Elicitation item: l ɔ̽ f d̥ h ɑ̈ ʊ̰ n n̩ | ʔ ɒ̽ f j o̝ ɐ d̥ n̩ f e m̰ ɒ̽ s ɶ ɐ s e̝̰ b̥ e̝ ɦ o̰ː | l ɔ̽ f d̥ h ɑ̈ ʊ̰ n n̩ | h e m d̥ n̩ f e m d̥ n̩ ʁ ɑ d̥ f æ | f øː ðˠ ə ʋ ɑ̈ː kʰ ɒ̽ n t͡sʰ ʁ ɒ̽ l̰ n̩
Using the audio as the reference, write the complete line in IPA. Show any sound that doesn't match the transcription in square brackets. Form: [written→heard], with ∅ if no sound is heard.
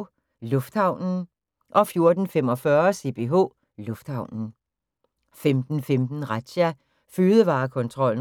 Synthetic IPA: l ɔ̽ f d̥ h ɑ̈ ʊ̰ n n̩ | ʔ ɒ̽ f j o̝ ɐ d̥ n̩ f e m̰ ɒ̽ [s→f] ɶ ɐ s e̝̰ b̥ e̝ ɦ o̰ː | l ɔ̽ f d̥ h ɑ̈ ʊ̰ n n̩ | [h→f] e m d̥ n̩ f e m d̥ n̩ ʁ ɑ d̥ [f→ɕ] æ | f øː ðˠ ə ʋ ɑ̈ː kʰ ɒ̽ n t͡sʰ ʁ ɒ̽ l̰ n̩